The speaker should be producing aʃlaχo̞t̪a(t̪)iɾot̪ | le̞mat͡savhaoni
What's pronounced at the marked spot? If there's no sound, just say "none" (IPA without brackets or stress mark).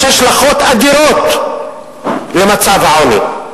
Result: d̪